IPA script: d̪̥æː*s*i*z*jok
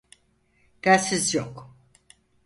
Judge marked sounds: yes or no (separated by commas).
yes, yes